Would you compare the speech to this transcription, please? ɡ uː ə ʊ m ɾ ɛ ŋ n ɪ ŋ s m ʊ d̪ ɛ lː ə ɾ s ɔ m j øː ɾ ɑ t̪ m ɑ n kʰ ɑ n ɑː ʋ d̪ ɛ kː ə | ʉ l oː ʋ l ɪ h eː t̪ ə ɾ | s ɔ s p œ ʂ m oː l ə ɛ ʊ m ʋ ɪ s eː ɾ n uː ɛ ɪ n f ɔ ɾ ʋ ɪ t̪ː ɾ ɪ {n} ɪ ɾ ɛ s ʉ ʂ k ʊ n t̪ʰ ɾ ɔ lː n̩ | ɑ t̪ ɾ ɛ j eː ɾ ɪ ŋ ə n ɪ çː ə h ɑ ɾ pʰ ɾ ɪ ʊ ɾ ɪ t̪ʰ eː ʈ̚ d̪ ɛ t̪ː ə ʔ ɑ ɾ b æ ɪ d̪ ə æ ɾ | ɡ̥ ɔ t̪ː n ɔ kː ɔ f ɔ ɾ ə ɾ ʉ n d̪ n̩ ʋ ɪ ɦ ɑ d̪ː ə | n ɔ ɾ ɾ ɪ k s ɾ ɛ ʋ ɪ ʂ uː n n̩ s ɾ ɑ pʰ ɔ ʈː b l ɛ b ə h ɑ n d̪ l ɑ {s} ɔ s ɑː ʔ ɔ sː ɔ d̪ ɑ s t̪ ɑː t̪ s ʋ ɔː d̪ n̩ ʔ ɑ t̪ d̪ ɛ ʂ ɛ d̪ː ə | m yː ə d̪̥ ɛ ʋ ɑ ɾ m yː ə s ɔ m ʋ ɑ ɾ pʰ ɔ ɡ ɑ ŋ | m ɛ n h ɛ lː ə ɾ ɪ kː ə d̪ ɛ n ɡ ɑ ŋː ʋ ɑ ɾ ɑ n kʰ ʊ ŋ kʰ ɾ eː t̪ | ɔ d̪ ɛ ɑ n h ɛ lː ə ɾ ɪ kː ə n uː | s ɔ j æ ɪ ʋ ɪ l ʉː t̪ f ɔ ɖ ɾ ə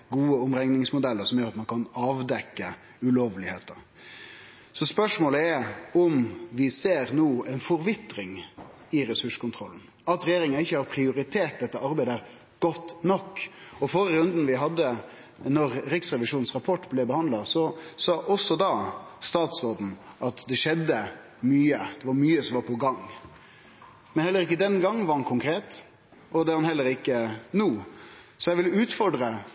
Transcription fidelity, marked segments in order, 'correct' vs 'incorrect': incorrect: ŋ, correct

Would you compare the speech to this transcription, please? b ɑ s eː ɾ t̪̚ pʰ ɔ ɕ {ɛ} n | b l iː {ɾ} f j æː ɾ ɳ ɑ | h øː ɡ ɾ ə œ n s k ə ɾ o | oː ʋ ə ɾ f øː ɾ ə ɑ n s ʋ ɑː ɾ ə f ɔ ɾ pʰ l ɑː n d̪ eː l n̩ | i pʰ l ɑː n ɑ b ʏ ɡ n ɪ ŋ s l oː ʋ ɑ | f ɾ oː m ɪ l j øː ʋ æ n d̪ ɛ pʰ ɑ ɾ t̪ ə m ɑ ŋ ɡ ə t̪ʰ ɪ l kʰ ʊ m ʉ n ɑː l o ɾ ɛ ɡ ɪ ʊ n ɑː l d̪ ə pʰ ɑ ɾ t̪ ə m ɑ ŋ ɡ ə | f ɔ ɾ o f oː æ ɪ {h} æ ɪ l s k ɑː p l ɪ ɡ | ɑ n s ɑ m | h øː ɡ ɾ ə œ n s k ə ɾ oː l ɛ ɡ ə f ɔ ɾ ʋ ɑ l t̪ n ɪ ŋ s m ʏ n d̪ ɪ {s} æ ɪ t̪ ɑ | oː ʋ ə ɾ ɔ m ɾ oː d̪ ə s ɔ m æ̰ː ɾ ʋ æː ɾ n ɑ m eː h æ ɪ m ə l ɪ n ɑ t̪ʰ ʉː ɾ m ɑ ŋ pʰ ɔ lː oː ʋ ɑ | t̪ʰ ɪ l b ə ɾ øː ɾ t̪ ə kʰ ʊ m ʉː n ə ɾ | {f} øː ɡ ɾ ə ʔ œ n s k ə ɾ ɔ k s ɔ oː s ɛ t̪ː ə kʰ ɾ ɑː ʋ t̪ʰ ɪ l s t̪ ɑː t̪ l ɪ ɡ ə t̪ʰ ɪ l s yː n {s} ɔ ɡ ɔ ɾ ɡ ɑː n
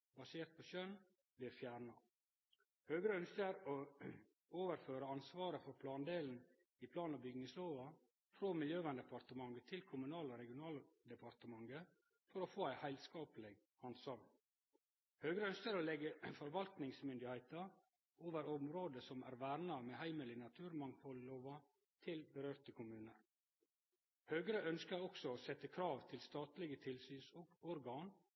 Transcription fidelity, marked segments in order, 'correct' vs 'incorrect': incorrect: œ, correct, correct, incorrect: h, incorrect: h, correct

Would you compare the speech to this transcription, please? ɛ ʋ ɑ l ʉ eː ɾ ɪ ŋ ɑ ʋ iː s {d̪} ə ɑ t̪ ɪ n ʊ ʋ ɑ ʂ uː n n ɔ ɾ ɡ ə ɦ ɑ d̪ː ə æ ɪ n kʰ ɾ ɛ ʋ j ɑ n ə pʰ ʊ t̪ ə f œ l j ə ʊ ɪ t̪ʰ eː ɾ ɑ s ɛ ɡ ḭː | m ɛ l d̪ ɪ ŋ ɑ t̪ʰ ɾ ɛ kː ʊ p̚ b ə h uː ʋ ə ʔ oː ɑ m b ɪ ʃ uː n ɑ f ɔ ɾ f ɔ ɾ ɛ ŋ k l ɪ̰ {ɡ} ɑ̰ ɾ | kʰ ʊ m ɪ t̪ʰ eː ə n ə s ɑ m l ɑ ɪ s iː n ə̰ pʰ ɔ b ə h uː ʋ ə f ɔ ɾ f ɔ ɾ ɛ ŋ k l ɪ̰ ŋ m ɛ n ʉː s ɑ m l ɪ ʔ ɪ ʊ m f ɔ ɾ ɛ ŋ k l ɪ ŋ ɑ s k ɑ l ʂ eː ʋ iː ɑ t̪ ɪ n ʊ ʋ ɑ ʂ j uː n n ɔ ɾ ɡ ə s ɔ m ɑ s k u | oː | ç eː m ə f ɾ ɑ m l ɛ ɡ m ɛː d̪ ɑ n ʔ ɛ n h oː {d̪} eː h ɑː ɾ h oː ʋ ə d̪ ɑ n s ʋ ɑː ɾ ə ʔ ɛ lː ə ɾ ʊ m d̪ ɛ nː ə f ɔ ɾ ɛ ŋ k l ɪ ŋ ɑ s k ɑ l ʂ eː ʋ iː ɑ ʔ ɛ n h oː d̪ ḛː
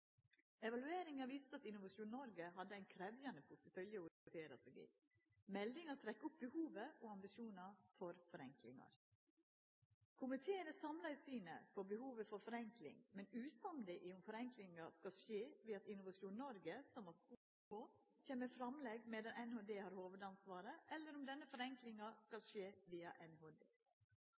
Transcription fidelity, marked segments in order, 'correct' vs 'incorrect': incorrect: t̪, incorrect: ŋ, correct

